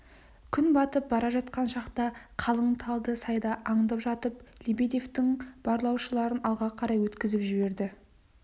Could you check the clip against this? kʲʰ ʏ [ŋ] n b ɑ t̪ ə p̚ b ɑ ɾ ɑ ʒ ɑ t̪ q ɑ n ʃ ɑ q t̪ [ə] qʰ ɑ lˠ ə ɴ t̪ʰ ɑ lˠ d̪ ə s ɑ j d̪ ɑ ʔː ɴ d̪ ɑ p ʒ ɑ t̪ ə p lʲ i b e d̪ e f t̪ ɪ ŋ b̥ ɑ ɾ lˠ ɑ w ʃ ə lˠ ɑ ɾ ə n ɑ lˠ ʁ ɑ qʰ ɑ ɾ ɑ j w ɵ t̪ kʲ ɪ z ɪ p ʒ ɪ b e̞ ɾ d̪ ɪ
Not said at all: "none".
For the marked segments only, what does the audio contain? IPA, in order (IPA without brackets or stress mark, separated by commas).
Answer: none, ɑ